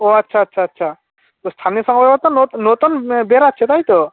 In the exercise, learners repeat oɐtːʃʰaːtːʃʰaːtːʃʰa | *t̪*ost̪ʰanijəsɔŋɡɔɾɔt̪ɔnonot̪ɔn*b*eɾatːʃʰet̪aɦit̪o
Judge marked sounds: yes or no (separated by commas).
yes, yes